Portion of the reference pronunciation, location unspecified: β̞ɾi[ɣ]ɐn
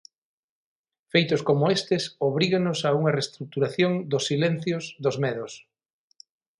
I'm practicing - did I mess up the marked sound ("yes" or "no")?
no